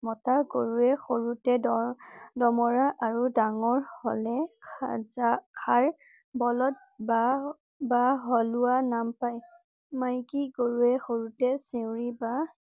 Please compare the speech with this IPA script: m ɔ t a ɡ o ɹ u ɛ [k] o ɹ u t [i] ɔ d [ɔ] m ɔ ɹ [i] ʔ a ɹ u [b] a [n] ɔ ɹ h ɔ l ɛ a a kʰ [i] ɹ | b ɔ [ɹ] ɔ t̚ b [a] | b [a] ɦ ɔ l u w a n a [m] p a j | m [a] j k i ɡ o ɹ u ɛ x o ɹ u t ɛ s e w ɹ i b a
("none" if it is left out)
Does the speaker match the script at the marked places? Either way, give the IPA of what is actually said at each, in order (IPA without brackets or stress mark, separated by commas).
x, ɛ, ɔ, a, d, ŋ, a, l, a, a, m, a